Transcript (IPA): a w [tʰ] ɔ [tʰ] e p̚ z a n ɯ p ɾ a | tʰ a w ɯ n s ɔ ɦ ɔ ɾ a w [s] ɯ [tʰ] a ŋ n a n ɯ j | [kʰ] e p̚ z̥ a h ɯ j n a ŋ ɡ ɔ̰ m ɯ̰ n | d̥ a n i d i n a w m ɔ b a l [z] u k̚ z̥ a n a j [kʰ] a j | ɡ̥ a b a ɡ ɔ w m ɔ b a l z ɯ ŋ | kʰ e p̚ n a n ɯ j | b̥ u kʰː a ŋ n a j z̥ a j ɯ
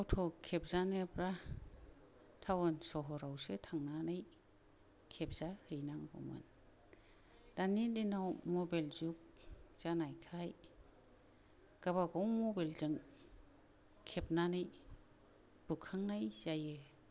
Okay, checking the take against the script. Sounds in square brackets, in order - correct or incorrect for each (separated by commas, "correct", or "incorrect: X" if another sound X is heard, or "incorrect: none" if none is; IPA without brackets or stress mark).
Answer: correct, incorrect: kʰ, correct, correct, correct, correct, correct